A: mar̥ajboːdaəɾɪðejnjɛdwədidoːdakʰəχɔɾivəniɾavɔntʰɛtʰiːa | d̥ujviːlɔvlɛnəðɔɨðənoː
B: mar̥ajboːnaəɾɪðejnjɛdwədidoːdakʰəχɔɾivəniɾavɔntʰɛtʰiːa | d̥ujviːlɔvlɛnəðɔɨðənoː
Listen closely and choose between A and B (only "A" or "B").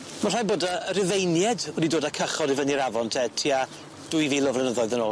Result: A